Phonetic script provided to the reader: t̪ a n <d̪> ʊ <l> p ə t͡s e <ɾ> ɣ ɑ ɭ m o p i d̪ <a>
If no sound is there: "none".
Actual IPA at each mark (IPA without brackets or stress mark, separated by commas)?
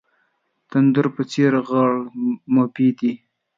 d̪, ɾ, ɾ, i